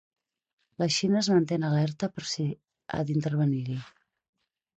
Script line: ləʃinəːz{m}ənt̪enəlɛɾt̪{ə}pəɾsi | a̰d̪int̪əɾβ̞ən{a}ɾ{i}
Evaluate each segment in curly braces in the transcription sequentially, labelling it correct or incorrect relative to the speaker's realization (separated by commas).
correct, correct, incorrect, correct